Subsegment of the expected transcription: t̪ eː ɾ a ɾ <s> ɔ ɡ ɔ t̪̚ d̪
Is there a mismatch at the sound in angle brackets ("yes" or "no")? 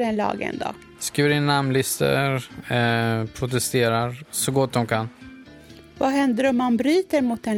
no